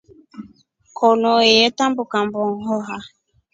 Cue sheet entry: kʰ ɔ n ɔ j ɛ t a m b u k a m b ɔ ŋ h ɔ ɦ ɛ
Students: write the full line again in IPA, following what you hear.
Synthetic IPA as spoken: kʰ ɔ n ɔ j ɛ t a m b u k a m b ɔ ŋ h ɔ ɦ a